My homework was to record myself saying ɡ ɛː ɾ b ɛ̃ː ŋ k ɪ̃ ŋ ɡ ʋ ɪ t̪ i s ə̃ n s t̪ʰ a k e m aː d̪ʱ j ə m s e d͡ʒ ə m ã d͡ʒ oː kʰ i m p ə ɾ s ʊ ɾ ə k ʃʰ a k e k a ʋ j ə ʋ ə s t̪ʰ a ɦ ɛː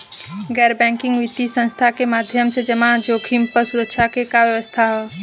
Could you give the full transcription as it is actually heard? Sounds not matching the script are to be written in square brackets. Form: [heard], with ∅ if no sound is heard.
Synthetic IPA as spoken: ɡ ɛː ɾ b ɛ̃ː ŋ k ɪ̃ ŋ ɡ ʋ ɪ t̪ i s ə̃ n s t̪ʰ a k e m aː d̪ʱ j ə m s e d͡ʒ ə m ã d͡ʒ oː kʰ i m p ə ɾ s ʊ ɾ ə k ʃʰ a k e k a ʋ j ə ʋ ə s t̪ʰ a ɦ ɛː

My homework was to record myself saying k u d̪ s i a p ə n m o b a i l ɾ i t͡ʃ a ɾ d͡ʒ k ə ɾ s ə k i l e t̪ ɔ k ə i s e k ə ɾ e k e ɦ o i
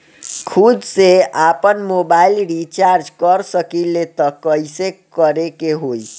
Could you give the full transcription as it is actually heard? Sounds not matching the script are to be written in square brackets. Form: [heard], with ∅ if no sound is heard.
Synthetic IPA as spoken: [kʰ] u d̪ s [e] a p ə n m o b a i l ɾ i t͡ʃ a ɾ d͡ʒ k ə ɾ s ə k i l e t̪ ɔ k ə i s e k ə ɾ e k e ɦ o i

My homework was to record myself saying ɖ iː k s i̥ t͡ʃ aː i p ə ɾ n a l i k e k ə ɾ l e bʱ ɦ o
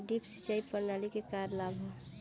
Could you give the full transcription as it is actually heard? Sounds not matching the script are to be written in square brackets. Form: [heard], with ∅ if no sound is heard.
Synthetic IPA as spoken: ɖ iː [p] s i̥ t͡ʃ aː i p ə ɾ n a l i k e k [a] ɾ l [a] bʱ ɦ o

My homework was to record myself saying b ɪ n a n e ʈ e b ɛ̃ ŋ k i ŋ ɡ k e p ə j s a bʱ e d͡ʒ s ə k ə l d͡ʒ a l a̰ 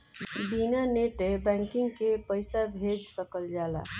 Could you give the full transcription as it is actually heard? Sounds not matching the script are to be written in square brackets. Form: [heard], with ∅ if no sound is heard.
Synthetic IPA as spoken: b [i] n a n e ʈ e b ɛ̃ ŋ k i ŋ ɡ k e p ə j s a bʱ e d͡ʒ s ə k ə l d͡ʒ a l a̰

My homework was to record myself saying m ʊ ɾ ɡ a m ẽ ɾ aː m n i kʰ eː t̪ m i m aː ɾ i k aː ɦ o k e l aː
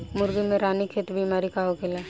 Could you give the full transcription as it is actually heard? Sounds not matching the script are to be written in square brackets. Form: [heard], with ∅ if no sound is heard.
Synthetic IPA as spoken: m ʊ ɾ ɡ [i] m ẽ ɾ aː [∅] n i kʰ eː t̪ [b] i m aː ɾ i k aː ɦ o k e l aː

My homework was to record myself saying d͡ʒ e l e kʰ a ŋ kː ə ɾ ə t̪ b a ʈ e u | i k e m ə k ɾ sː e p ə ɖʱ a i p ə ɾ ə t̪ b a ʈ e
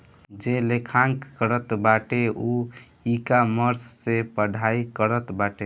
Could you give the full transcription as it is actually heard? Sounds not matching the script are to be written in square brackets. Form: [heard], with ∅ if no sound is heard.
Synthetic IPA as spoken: d͡ʒ e l e kʰ a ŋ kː ə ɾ ə t̪ b a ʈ e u | i k [a] m ə [∅] ɾ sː e p ə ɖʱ a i [k] ə ɾ ə t̪ b a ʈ e

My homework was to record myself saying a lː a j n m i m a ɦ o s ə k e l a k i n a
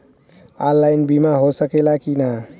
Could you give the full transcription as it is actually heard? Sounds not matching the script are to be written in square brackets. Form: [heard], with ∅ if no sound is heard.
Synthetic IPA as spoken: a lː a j n [b] i m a ɦ o s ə k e l a k i n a

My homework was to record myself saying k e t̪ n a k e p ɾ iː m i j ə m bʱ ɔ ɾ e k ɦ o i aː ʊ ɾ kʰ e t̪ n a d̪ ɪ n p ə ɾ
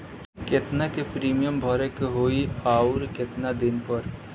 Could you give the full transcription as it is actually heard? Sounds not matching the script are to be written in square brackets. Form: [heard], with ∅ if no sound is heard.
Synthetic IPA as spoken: k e t̪ n a k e p ɾ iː m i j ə m bʱ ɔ ɾ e k ɦ o i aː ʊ ɾ [k] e t̪ n a d̪ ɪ n p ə ɾ

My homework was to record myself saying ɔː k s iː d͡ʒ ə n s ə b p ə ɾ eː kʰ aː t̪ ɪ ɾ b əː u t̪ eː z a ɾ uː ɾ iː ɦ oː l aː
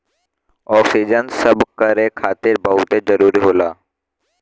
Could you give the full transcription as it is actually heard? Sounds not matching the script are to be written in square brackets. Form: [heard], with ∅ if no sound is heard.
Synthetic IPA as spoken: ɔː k s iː d͡ʒ ə n s ə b [k] ə ɾ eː kʰ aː t̪ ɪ ɾ b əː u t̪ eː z [ə] ɾ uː ɾ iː ɦ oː l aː

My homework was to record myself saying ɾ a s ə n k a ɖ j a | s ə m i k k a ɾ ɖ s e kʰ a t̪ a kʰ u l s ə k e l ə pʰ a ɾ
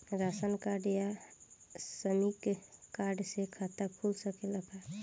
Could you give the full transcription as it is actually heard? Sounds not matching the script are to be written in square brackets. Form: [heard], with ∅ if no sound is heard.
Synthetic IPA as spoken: ɾ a s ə n k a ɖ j a | s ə m i k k a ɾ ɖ s e kʰ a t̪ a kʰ u l s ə k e l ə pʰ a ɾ

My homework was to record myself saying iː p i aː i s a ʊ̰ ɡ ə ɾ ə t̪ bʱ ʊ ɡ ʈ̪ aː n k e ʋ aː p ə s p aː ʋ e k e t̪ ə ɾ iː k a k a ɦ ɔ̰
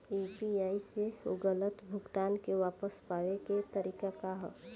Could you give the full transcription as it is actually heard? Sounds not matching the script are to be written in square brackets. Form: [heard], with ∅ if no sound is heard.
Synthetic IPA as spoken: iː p i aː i s [e] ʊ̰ ɡ ə [l] ə t̪ bʱ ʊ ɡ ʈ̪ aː n k e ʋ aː p ə s p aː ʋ e k e t̪ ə ɾ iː k a k a ɦ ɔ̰

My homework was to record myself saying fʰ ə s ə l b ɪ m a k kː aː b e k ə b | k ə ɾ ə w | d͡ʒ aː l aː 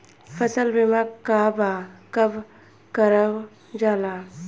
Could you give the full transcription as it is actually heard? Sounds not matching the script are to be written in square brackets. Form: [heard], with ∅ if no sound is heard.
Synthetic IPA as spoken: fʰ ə s ə l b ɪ m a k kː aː b [a] k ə b | k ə ɾ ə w | d͡ʒ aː l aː

